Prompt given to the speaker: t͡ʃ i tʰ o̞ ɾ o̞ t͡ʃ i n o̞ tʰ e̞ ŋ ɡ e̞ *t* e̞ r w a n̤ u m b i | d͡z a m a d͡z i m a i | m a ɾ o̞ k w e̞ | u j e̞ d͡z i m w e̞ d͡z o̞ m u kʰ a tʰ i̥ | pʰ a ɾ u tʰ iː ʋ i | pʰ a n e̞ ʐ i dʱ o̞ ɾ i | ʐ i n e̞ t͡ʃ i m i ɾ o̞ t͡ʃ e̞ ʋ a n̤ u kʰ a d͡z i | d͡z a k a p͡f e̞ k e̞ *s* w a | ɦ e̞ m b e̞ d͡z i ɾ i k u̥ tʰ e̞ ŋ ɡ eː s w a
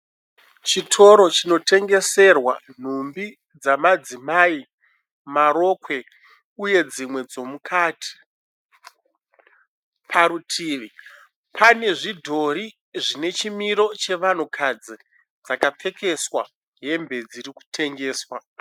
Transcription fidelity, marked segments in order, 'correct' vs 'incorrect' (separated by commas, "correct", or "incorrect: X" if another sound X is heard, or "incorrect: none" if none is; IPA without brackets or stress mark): incorrect: s, correct